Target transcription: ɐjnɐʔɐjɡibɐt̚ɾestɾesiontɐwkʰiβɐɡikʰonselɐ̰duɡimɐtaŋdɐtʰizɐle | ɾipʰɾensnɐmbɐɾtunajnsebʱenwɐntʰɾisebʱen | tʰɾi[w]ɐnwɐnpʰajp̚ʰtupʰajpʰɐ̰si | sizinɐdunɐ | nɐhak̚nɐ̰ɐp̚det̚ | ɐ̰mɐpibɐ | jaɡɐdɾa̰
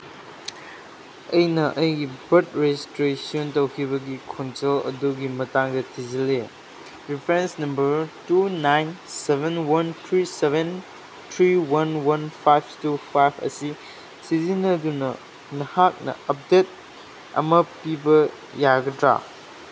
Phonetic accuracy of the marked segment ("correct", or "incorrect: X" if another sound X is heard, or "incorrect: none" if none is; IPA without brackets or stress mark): correct